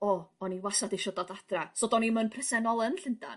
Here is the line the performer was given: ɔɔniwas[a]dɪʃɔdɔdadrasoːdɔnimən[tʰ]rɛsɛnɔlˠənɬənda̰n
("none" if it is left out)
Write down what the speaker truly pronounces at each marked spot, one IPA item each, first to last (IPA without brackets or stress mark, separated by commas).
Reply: a, pʰ